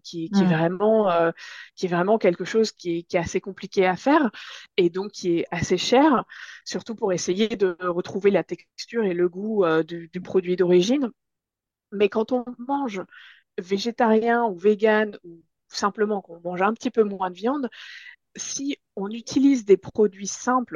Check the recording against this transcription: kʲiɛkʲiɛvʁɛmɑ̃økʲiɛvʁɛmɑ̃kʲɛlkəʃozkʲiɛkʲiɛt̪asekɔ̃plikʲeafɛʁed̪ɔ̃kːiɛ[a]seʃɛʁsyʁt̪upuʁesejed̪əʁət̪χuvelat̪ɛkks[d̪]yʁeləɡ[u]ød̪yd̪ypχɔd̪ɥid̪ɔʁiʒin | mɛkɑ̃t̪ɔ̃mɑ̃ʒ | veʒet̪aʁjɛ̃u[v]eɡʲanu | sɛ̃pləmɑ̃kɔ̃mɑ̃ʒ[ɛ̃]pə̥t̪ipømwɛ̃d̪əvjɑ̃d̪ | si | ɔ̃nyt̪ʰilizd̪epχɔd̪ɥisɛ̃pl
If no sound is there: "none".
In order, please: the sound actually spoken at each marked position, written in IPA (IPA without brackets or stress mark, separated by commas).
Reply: a, t̪, u, v, ɛ̃